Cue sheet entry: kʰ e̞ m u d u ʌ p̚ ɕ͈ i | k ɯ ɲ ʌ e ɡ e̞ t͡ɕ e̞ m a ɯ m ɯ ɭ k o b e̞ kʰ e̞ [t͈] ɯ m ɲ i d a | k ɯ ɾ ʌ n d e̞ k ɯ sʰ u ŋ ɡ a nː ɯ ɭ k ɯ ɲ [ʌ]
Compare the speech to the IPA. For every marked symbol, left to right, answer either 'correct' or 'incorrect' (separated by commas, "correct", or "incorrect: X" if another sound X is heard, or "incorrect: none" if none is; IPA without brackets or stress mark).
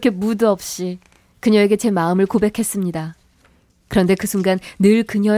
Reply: incorrect: s͈, correct